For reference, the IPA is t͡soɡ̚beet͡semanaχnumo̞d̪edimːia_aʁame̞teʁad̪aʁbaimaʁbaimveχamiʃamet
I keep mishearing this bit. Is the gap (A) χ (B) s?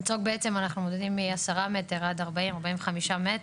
B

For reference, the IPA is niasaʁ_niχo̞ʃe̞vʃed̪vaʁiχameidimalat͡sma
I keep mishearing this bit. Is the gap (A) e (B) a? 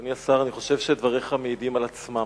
B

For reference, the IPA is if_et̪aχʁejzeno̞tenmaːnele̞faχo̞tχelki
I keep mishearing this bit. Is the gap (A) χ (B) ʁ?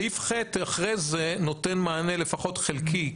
A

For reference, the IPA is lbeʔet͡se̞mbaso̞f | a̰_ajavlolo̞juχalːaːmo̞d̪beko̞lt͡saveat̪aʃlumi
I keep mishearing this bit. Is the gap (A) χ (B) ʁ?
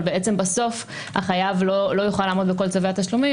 A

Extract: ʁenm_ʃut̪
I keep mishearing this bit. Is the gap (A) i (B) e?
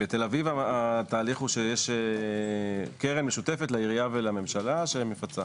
B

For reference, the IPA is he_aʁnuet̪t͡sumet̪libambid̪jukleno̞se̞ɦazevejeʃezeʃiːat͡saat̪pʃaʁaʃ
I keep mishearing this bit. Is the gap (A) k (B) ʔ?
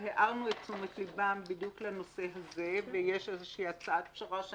B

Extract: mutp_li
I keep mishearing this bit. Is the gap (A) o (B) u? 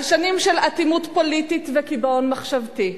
A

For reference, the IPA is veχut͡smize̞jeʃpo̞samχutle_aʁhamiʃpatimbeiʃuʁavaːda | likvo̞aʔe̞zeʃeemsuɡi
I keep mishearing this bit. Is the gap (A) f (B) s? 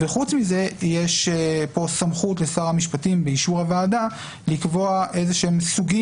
B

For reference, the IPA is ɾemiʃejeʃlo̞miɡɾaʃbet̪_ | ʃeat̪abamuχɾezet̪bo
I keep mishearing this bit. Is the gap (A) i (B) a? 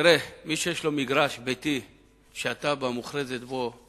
A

